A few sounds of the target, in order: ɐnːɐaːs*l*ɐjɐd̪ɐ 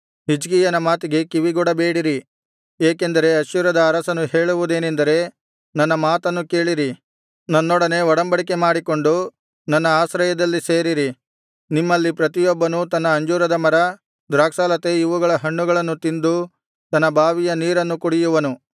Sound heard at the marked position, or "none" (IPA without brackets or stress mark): ɾ